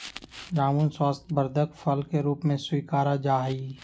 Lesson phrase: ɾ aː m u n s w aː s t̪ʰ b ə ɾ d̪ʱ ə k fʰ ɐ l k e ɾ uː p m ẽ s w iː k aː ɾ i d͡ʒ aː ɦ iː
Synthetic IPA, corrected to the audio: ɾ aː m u n s w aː s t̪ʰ b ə ɾ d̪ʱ ə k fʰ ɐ l k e ɾ uː p m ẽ s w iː k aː ɾ a d͡ʒ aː ɦ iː

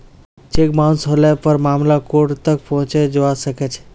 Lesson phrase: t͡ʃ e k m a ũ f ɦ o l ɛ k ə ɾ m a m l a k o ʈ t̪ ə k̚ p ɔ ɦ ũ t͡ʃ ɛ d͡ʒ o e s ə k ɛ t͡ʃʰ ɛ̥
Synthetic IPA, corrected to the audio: t͡ʃ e k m a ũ s ɦ o l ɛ p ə ɾ m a m l a k o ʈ t̪ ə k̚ p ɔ ɦ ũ t͡ʃ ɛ d͡ʒ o a s ə k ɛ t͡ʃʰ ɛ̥

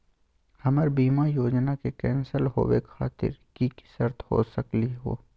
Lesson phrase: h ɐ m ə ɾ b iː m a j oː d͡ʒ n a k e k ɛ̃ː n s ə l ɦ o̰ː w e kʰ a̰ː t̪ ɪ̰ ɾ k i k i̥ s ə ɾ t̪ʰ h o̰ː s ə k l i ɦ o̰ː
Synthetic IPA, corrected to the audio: h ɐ m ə ɾ b iː m a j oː d͡ʒ n a k e k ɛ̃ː n s ə l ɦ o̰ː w e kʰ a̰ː t̪ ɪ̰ ɾ k i k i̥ s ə ɾ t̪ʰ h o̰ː s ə k l i ɦ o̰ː

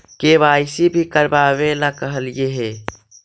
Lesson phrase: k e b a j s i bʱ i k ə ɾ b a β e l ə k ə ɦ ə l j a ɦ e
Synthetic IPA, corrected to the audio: k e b a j s i bʱ i k ə ɾ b a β e l a k ə ɦ ə l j e ɦ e

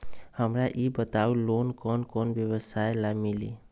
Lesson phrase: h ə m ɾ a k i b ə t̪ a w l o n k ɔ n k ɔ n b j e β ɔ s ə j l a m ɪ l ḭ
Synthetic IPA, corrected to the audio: h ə m ɾ a ʔ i b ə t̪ a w l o n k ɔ n k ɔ n b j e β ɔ s a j l a m i l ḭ

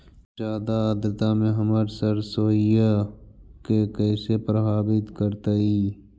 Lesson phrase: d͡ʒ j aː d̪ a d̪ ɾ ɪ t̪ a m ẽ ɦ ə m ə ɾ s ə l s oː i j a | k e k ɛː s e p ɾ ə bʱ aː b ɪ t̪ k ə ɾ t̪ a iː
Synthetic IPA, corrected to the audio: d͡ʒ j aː d̪ a d̪ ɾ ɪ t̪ a m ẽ ɦ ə m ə ɾ s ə ɾ s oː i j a | k e k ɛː s e p ɾ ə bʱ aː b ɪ t̪ k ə ɾ t̪ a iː

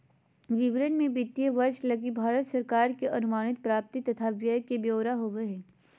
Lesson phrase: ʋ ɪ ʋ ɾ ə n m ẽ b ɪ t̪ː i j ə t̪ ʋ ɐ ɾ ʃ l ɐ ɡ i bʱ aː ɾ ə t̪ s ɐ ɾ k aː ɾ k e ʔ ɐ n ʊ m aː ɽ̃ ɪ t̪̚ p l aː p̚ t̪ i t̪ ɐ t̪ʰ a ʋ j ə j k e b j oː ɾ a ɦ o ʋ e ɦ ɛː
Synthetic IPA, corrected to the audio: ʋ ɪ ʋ ɾ ə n m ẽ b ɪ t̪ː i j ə ʋ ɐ ɾ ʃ l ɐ ɡ i bʱ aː ɾ ə t̪ s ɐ ɾ k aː ɾ k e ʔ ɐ n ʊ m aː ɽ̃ ɪ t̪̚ p ɾ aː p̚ t̪ i t̪ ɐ t̪ʰ a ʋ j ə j k e b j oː ɾ a ɦ o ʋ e ɦ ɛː

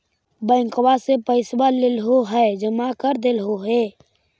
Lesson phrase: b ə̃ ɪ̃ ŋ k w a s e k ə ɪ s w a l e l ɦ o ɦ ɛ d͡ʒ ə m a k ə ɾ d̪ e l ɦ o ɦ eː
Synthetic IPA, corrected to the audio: b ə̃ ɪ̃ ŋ k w a s e p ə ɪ s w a l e l ɦ o ɦ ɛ d͡ʒ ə m a k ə ɾ d̪ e l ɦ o ɦ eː

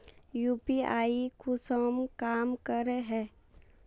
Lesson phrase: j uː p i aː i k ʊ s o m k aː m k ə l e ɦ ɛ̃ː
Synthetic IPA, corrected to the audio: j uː p i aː i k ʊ s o m k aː m k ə ɾ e ɦ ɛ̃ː

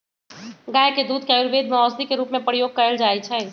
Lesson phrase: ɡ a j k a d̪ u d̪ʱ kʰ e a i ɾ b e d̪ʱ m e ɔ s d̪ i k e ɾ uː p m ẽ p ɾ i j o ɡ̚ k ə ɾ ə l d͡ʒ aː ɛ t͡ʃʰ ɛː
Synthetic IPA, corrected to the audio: ɡ a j k e d̪ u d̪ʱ k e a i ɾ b e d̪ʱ m e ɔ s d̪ i k e ɾ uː p m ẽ p ɾ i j o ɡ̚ k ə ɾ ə l d͡ʒ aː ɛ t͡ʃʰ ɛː

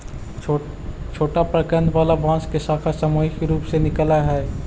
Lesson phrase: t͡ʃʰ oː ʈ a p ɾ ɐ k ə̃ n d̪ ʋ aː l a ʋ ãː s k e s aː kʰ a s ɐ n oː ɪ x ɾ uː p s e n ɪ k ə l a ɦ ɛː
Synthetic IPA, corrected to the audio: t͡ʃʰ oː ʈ a p ɾ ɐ k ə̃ n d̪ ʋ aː l a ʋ ãː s k e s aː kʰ a s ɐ m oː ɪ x ɾ uː p s e n ɪ k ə l a ɦ ɛː

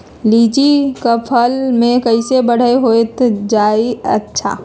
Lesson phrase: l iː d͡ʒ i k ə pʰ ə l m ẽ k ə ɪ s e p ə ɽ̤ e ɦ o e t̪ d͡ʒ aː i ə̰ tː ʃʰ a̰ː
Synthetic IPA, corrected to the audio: l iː d͡ʒ i k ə pʰ ə l m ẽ k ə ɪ s e b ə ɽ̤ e ɦ o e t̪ d͡ʒ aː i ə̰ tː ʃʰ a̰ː

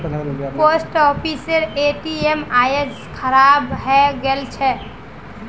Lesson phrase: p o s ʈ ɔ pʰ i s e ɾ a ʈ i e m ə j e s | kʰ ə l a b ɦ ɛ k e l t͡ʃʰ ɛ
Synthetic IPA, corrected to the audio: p o s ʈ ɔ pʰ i s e ɾ e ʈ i e m a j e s | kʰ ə ɾ a b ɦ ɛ ɡ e l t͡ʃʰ ɛ

